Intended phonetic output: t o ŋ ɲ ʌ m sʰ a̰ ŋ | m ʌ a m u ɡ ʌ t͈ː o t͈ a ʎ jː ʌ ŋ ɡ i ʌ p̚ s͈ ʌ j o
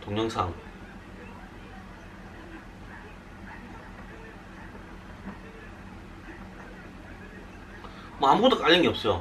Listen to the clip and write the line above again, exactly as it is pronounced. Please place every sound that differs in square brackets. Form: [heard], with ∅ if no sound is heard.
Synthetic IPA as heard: t o ŋ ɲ ʌ [ŋ] sʰ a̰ ŋ | m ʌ a m u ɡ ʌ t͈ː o [k͈] a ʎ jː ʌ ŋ ɡ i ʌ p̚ s͈ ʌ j o